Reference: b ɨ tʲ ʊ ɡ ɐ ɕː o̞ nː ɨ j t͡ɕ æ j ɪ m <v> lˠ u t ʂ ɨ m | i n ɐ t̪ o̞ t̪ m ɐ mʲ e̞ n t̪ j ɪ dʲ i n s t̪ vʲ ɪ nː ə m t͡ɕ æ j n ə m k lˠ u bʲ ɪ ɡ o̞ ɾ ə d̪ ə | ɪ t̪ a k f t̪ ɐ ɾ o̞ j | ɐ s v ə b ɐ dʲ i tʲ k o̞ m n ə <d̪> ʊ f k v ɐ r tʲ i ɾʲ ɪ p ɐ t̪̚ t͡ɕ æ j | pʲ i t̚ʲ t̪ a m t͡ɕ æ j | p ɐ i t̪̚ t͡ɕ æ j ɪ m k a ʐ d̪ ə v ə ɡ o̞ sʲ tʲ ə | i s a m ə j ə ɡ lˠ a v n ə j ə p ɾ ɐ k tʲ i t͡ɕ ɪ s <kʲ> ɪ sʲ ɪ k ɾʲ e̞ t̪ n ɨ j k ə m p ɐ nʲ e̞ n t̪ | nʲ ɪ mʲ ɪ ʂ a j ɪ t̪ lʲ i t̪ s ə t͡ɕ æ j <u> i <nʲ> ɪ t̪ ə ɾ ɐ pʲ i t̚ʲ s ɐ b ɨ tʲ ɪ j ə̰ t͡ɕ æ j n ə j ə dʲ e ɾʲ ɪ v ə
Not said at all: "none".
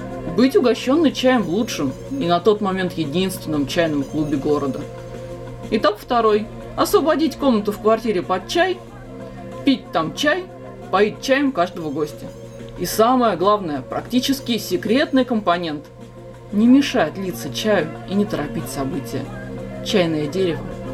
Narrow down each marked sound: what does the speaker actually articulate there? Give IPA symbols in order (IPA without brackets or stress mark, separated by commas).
v, t̪, kʲ, ʊ, nʲ